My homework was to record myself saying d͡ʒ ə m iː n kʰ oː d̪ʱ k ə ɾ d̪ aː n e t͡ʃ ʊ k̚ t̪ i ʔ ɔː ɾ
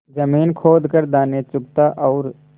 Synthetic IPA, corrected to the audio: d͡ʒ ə m iː n kʰ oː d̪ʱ k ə ɾ d̪ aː n e t͡ʃ ʊ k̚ t̪ a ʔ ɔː ɾ